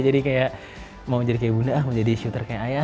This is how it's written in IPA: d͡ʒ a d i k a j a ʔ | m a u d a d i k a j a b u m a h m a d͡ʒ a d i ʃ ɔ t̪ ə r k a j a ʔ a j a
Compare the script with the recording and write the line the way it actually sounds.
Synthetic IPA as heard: d͡ʒ a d i k a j a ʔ | m a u d͡ʒ a d i k a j a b u n a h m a d͡ʒ a d i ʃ u t̪ ə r k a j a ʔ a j a